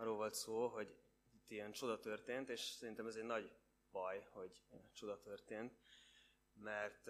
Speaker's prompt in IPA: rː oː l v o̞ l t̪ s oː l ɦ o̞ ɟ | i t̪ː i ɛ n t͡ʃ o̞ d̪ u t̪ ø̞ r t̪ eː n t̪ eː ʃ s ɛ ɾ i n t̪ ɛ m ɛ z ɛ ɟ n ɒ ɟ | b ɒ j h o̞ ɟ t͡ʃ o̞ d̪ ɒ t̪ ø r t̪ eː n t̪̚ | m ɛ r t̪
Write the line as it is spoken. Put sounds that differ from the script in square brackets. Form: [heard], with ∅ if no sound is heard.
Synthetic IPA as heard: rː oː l v o̞ l t̪ s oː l ɦ o̞ ɟ | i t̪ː i ɛ n t͡ʃ o̞ d̪ [ɒ] t̪ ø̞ r t̪ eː n t̪ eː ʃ s ɛ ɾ i n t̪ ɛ m ɛ z ɛ ɟ n ɒ ɟ | b ɒ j h o̞ ɟ t͡ʃ o̞ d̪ ɒ t̪ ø r t̪ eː n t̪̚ | m ɛ r t̪